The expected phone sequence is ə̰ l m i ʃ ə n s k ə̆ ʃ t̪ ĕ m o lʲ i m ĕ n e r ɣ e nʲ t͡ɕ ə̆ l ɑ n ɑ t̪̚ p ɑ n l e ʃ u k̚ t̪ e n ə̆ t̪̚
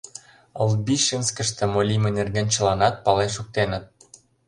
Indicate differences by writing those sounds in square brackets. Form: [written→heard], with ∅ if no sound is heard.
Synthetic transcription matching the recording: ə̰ l [m→b] i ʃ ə n s k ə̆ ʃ t̪ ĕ m o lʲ i m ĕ n e r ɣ e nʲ t͡ɕ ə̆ l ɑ n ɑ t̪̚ p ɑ [n→∅] l e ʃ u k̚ t̪ e n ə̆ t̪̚